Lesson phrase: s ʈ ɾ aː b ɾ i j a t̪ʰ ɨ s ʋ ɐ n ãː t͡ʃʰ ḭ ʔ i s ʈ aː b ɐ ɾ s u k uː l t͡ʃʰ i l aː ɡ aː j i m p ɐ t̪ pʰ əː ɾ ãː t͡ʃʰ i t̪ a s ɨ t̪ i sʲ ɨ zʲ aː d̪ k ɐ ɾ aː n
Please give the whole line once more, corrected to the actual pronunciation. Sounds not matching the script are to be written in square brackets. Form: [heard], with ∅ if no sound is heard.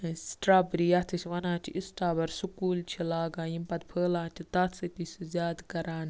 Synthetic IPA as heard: s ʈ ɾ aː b ɾ i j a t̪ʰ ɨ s ʋ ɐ n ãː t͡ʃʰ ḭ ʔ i s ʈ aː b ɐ ɾ s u k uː l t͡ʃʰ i l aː ɡ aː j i m p ɐ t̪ pʰ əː [l] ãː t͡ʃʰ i t̪ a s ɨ t̪ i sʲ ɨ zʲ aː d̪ k ɐ ɾ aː n

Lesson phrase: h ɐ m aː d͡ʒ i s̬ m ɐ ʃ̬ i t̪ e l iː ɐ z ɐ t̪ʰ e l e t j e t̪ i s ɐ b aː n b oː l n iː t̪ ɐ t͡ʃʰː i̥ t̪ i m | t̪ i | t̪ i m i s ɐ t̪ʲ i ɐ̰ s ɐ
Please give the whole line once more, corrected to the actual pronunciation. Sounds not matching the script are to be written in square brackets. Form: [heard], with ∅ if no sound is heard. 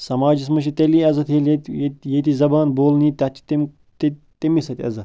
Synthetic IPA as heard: [s] ɐ m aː d͡ʒ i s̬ m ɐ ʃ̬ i t̪ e l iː ɐ z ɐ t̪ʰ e l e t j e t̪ i [z] ɐ b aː n b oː l n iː t̪ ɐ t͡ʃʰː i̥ t̪ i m | t̪ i | t̪ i m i s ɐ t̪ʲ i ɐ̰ [z] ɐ

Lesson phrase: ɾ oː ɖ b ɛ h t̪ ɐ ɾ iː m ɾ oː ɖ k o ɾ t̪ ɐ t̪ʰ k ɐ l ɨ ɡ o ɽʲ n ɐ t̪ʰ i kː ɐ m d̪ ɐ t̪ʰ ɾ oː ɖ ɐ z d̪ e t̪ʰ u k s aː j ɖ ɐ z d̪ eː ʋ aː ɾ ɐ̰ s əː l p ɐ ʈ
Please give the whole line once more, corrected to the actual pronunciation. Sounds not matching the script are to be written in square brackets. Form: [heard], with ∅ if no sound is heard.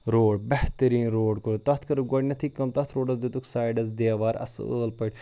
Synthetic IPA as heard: ɾ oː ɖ b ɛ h t̪ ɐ ɾ iː [n] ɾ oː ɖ k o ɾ t̪ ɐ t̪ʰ k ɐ [ɾ] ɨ ɡ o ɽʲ n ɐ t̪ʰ i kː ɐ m [t̪] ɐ t̪ʰ ɾ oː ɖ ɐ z d̪ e [t̪] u k s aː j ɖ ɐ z d̪ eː ʋ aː ɾ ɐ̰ s əː l p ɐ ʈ

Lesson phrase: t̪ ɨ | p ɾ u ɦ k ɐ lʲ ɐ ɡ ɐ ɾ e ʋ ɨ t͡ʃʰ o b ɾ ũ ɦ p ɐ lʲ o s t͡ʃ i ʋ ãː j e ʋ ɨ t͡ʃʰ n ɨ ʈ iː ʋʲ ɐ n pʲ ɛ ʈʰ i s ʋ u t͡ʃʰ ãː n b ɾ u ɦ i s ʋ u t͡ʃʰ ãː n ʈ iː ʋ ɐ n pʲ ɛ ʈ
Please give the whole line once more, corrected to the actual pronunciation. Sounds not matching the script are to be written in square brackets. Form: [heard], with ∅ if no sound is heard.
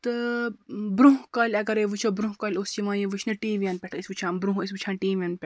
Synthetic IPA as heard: t̪ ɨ | [b] ɾ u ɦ k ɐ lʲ ɐ ɡ ɐ ɾ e ʋ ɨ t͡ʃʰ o b ɾ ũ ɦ [k] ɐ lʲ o s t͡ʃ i ʋ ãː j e ʋ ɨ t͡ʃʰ n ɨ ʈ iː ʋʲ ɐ n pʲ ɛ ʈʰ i s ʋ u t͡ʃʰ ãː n b ɾ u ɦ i s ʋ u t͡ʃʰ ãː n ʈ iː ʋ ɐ n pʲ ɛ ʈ

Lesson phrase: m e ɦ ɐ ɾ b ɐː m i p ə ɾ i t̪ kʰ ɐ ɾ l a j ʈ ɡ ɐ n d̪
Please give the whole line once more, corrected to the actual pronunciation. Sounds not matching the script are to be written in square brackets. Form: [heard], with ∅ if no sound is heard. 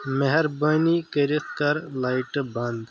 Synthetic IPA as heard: m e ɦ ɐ ɾ b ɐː [n] i [k] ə ɾ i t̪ [k] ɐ ɾ l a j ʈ [b] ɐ n d̪

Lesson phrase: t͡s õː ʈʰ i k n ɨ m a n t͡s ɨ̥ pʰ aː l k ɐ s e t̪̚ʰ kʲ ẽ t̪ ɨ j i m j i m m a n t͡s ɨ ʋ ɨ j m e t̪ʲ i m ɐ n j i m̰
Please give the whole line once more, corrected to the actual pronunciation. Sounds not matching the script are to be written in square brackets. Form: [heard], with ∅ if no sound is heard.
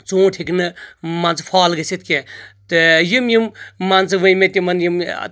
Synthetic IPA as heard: t͡s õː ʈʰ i k n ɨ m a n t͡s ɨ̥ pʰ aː l [ɡ] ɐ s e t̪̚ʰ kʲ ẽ t̪ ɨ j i m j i m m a n t͡s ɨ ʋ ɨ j m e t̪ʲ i m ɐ n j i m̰

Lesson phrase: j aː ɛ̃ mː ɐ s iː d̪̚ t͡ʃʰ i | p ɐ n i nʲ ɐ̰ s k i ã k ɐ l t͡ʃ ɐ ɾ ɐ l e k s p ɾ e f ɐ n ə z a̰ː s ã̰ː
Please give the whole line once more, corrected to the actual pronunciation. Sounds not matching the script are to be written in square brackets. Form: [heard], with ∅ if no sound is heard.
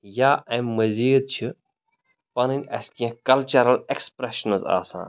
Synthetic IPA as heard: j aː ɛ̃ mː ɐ [z] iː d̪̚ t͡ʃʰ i | p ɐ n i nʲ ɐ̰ s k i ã k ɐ l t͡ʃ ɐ ɾ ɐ l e k s p ɾ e [ʃ] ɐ n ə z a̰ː s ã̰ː

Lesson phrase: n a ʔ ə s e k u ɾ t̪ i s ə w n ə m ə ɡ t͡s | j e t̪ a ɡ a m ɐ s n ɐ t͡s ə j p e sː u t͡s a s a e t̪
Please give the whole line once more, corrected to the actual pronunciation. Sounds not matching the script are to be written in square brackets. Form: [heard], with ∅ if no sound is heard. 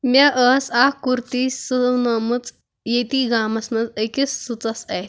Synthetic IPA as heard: [m] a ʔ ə s [a] k u ɾ t̪ i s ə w n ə m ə [∅] t͡s | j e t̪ [i] ɡ a m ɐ s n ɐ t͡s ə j [k] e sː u t͡s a s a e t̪

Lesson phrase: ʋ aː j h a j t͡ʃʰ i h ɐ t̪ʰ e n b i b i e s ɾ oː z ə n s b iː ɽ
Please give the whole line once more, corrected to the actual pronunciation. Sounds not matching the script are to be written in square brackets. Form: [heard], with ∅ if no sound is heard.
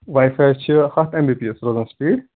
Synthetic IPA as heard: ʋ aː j [f] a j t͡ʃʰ i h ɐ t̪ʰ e [m] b i [p] i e s ɾ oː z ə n s [p] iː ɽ

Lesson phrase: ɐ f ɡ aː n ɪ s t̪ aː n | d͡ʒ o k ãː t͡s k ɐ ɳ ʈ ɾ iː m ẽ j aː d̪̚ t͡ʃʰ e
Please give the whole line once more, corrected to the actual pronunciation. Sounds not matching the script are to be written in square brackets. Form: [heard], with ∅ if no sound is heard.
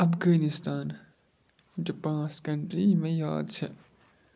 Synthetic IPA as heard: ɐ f ɡ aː n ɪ s t̪ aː n | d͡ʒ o [p] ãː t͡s k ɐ ɳ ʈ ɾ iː m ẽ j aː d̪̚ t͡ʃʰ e

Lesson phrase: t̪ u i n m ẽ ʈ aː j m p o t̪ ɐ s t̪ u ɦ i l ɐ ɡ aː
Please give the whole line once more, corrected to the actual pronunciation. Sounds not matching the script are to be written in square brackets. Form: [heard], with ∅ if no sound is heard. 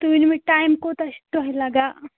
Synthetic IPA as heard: t̪ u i n m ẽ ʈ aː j m [k] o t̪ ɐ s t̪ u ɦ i l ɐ ɡ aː

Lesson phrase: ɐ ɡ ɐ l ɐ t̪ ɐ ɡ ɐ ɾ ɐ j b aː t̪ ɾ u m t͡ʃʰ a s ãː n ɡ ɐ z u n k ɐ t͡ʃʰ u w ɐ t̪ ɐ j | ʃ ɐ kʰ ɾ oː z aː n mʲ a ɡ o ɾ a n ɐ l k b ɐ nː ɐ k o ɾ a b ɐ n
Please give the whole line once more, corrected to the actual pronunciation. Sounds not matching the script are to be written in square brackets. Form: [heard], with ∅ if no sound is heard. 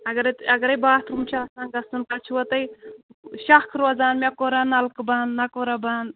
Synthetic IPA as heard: ɐ ɡ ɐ [ɾ] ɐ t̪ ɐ ɡ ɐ ɾ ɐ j b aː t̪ ɾ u m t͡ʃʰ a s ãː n ɡ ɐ [s] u n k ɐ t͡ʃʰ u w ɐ t̪ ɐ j | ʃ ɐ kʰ ɾ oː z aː n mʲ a [k] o ɾ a n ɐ l k b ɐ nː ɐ k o ɾ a b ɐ n

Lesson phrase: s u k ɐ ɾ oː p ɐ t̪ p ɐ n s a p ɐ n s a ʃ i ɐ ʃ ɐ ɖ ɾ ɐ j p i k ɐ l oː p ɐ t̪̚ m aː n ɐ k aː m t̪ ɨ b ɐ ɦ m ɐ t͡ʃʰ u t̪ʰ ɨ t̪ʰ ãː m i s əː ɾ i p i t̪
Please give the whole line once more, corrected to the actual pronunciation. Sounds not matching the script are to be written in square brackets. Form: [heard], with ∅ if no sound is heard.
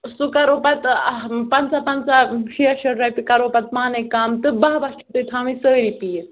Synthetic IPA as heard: s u k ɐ ɾ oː p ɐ t̪ p ɐ n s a p ɐ n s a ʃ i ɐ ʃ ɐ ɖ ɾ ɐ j p i k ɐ [ɾ] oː p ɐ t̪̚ m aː n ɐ k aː m t̪ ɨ b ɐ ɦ [b] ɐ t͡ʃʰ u [t̪] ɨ t̪ʰ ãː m i s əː ɾ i p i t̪

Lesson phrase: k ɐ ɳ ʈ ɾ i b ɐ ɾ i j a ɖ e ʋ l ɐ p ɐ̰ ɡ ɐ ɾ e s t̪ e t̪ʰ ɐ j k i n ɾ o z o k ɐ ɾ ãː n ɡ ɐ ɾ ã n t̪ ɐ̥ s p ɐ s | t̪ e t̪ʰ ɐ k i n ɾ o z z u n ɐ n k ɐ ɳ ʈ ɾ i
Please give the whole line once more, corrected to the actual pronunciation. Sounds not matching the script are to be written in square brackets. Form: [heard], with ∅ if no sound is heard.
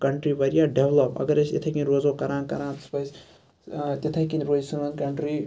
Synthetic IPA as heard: k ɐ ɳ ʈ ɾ i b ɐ ɾ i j a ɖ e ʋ l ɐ p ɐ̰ ɡ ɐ ɾ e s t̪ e t̪ʰ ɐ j k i n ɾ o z o k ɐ ɾ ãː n [k] ɐ ɾ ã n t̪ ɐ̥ s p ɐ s | t̪ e t̪ʰ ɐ k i n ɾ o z [s] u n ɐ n k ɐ ɳ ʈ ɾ i

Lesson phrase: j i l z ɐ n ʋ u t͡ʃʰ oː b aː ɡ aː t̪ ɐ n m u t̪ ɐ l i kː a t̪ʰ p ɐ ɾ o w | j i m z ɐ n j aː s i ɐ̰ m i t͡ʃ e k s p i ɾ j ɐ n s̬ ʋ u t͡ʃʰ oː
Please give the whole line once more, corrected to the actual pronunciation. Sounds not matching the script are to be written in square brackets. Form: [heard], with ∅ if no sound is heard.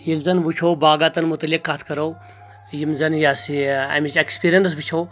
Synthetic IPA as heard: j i l z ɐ n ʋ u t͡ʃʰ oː b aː ɡ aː t̪ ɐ n m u t̪ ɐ l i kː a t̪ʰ [k] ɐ ɾ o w | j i m z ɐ n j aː s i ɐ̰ m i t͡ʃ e k s p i ɾ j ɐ n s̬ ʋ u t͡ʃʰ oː

